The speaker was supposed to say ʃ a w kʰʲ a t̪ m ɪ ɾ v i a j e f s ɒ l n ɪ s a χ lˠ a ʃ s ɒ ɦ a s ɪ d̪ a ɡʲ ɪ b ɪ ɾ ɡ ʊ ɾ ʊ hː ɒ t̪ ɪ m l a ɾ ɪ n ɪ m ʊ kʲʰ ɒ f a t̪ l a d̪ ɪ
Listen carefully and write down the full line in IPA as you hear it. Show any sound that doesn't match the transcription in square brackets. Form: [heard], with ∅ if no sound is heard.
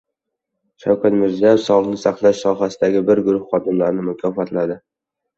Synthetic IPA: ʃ a w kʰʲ a t̪ m ɪ ɾ [z] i a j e f s ɒ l n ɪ s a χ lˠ a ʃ s ɒ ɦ a s ɪ d̪ a ɡʲ ɪ b ɪ ɾ ɡ ʊ ɾ ʊ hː ɒ [d̪] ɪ m l a ɾ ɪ n ɪ m ʊ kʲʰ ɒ f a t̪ l a d̪ ɪ

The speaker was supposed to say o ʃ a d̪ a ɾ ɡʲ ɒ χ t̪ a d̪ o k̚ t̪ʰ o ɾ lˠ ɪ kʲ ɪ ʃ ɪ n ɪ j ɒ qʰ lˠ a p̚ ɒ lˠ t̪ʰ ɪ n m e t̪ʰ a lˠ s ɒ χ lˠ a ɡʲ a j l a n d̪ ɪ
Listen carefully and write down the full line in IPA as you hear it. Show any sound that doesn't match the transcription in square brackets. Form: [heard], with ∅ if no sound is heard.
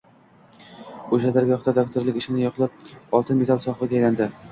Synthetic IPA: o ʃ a d̪ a ɾ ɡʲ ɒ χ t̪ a d̪ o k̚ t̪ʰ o ɾ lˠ ɪ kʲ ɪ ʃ ɪ n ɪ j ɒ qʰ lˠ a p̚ ɒ lˠ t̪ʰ ɪ n m e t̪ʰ a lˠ s ɒ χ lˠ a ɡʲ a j l a n d̪ ɪ

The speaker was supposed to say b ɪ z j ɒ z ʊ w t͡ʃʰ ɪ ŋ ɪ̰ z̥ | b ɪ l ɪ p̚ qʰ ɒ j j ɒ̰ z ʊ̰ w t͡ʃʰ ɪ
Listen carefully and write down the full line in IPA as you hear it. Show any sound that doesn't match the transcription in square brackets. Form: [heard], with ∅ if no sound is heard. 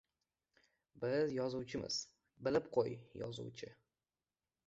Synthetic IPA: b ɪ z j ɒ z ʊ w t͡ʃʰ ɪ [m] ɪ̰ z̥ | b ɪ l ɪ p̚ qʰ [o] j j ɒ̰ z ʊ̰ w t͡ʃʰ ɪ

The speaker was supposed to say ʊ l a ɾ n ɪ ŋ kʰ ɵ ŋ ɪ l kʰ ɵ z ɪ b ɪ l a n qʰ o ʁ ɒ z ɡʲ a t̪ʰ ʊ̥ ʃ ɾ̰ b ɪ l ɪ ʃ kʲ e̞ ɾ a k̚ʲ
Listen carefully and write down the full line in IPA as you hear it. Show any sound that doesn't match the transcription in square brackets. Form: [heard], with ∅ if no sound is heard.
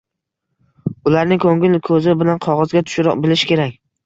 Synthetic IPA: ʊ l a ɾ n ɪ ŋ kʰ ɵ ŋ ɪ l kʰ ɵ z ɪ b ɪ l a n qʰ [ɒ] ʁ ɒ z ɡʲ a t̪ʰ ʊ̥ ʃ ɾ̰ b ɪ l ɪ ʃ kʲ e̞ ɾ a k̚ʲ

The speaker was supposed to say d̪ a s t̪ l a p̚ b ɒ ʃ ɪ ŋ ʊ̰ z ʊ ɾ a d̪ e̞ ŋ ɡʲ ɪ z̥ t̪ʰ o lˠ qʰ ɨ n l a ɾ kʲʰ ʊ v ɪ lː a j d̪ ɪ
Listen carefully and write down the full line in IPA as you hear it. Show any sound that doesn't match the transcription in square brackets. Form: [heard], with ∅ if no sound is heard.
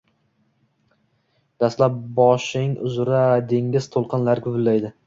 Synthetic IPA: d̪ a s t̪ l a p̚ b ɒ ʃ ɪ ŋ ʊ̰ z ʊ ɾ a d̪ e̞ ŋ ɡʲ ɪ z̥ t̪ʰ o lˠ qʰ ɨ n l a ɾ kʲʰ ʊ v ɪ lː a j d̪ ɪ

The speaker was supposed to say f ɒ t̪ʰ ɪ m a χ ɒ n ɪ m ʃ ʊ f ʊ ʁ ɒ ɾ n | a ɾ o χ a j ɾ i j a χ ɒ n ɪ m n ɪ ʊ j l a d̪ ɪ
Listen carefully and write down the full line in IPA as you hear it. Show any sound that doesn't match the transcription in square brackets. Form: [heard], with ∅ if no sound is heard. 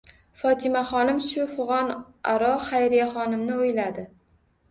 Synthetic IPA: f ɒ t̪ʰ ɪ m a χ ɒ n ɪ m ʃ ʊ f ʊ ʁ ɒ [∅] n | a ɾ [ɒ] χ a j ɾ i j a χ ɒ n ɪ m n ɪ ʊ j l a d̪ ɪ

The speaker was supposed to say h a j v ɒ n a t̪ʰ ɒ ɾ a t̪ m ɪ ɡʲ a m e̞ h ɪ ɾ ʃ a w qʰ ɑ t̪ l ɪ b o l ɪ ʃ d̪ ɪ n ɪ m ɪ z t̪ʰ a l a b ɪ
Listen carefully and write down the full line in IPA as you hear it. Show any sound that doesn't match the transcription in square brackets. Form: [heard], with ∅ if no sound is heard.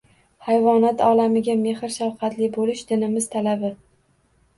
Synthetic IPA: h a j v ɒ n a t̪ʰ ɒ [l] a [∅] m ɪ ɡʲ a m e̞ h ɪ ɾ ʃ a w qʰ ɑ t̪ l ɪ b o l ɪ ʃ d̪ ɪ n ɪ m ɪ z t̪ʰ a l a b ɪ

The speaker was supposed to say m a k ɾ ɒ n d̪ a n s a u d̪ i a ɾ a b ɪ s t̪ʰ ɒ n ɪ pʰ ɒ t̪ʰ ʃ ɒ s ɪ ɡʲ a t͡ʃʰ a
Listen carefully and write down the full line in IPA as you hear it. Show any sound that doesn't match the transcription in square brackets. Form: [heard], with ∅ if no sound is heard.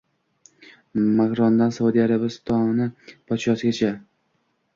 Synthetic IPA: m a k ɾ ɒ n d̪ a n s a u d̪ i a ɾ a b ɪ s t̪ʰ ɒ n ɪ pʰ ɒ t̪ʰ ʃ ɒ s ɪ ɡʲ a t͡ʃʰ a

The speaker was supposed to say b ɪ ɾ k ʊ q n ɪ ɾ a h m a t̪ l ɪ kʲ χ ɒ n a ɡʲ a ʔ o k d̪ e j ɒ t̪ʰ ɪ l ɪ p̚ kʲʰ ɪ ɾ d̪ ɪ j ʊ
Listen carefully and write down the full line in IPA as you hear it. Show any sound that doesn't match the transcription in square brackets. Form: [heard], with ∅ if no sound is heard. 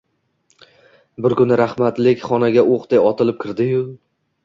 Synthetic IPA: b ɪ ɾ k ʊ [∅] n ɪ ɾ a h m a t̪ l ɪ kʲ χ ɒ n a ɡʲ a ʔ o [q] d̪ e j ɒ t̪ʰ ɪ l ɪ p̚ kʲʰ ɪ ɾ d̪ ɪ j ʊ

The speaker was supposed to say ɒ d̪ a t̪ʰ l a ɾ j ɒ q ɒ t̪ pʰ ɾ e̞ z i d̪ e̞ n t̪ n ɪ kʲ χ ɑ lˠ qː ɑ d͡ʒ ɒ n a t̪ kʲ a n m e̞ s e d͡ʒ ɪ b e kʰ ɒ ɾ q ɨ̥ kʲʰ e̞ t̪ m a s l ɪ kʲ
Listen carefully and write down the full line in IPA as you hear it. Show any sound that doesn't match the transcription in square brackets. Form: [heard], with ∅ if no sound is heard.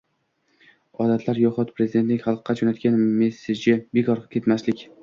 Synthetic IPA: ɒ d̪ a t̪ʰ l a ɾ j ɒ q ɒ t̪ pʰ ɾ e̞ z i d̪ e̞ n t̪ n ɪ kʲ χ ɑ lˠ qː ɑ d͡ʒ [o] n a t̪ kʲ a n m e̞ s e d͡ʒ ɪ b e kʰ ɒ ɾ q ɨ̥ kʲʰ e̞ t̪ m a s l ɪ kʲ

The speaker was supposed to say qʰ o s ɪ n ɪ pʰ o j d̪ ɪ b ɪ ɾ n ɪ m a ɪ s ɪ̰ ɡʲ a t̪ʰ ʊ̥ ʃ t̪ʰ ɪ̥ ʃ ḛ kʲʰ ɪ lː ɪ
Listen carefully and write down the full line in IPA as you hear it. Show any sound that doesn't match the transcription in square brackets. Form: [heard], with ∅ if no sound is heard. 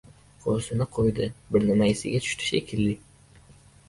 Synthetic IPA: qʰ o s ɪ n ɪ [qʰ] o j d̪ ɪ b ɪ ɾ n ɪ m a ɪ s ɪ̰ ɡʲ a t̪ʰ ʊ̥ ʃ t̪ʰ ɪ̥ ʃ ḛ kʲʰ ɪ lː ɪ

